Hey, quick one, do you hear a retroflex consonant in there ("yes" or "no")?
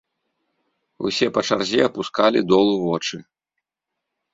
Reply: yes